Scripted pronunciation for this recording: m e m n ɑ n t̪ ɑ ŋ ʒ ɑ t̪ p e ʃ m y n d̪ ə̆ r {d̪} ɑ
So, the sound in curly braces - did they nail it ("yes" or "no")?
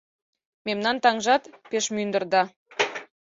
yes